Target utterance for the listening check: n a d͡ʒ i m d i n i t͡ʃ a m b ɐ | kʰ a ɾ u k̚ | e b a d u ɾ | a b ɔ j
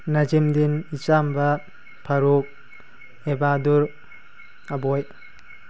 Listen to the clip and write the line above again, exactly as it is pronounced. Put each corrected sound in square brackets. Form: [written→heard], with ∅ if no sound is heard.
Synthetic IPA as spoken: n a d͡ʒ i m d i n i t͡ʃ a m b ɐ | [kʰ→pʰ] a ɾ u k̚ | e b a d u ɾ | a b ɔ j